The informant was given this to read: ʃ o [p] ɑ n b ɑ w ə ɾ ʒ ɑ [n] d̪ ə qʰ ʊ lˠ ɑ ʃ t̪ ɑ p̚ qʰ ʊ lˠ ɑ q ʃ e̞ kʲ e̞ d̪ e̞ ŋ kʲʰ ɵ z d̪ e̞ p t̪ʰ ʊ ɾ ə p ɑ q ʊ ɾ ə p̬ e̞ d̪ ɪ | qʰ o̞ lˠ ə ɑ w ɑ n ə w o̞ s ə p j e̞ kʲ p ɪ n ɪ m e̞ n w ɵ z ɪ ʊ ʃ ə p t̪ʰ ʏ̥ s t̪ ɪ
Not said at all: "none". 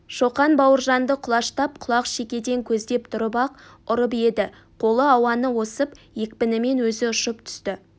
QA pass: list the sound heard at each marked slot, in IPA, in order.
q, n

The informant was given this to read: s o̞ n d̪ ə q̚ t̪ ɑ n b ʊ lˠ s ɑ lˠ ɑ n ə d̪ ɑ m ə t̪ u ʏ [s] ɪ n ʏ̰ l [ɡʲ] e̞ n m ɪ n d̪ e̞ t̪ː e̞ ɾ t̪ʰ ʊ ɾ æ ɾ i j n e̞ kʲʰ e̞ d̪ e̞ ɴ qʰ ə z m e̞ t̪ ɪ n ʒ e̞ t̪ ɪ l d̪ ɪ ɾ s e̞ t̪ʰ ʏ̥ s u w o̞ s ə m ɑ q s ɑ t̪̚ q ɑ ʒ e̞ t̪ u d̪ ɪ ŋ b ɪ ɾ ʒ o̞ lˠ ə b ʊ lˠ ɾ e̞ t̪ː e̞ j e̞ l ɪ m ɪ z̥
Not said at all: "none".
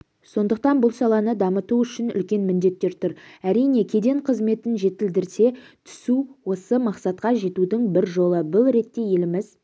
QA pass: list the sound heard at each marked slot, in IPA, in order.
ʃ, kʲ

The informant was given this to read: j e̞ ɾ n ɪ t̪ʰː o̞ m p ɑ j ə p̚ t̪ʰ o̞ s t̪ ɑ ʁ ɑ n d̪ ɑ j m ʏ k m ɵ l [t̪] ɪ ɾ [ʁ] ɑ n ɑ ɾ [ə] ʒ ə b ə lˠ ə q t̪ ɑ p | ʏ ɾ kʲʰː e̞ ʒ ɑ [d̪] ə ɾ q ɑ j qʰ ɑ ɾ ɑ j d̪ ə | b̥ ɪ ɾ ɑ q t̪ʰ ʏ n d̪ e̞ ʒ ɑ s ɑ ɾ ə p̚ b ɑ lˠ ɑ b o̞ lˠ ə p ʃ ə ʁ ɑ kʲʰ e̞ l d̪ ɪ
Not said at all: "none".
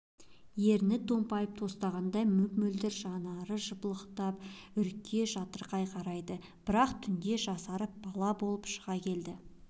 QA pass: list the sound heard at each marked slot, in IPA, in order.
d̪, ʒ, ə, t̪

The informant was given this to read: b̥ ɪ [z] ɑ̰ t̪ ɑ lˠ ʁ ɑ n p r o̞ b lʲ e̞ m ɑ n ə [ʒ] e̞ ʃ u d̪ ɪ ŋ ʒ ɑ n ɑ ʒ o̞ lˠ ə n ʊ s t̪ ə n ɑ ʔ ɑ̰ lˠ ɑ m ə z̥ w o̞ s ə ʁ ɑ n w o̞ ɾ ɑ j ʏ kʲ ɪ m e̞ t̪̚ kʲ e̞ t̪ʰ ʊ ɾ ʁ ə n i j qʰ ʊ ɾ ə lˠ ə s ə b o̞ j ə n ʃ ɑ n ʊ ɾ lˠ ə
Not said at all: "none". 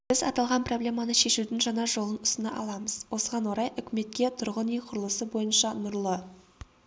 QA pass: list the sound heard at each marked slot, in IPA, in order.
z, ʃ

